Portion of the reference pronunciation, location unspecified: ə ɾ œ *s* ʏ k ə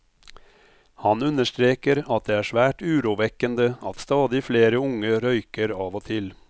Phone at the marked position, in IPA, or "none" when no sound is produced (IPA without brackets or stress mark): none